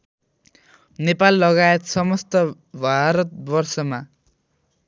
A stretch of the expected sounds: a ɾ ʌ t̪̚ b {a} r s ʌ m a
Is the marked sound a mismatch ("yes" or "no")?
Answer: yes